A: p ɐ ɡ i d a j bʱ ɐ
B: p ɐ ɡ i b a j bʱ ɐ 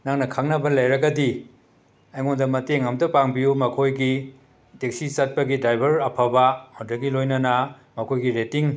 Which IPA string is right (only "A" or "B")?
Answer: A